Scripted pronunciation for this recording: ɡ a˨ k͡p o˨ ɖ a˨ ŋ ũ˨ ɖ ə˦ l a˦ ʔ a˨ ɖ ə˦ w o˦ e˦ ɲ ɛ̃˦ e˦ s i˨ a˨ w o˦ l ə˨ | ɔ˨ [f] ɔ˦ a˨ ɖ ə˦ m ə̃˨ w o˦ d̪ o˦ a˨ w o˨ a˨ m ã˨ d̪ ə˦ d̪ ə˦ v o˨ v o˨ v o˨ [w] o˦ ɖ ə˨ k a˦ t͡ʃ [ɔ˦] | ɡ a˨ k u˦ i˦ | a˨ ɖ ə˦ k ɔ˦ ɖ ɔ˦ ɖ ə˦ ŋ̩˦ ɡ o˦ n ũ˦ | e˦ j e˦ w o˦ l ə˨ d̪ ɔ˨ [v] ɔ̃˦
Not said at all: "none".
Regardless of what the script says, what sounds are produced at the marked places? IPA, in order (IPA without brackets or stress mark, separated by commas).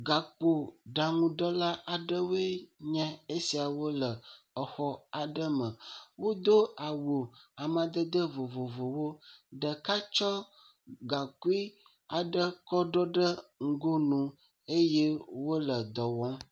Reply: x, w, ɔ˦, w